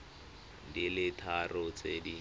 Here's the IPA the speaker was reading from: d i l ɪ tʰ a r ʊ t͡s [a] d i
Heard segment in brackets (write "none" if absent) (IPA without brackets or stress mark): e